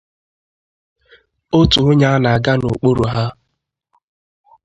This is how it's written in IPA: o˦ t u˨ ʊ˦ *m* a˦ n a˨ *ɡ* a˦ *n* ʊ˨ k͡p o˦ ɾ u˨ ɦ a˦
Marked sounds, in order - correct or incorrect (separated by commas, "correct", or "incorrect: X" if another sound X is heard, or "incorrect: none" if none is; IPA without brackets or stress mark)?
incorrect: ɲ, correct, correct